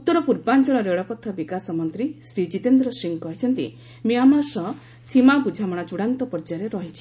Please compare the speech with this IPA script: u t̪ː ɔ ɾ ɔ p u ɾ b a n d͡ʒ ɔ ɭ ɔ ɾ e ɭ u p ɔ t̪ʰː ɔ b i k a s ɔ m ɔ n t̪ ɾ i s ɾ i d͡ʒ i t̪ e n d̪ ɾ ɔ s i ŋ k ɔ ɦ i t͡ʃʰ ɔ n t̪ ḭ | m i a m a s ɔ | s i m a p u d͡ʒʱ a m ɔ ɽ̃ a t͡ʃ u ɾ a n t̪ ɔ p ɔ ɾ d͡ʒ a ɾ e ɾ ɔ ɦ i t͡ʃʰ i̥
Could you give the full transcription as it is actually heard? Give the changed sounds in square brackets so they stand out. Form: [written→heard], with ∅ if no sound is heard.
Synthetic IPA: u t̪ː ɔ ɾ ɔ p u ɾ b a n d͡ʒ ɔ ɭ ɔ ɾ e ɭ [u→ɔ] p ɔ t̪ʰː ɔ b i k a s ɔ m ɔ n t̪ ɾ i s ɾ i d͡ʒ i t̪ e n d̪ ɾ ɔ s i ŋ k ɔ ɦ i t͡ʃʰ ɔ n t̪ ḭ | m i a m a s ɔ | s i m a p u d͡ʒʱ a m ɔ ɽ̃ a t͡ʃ u [ɾ→ɽ] a n t̪ ɔ p ɔ ɾ d͡ʒ a ɾ e ɾ ɔ ɦ i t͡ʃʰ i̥